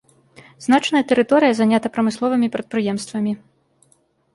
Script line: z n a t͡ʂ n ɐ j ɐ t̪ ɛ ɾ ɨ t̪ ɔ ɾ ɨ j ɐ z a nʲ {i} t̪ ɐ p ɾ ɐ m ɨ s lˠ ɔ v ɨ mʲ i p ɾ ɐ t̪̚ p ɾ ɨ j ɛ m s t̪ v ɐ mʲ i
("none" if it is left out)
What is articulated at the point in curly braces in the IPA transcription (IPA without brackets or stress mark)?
a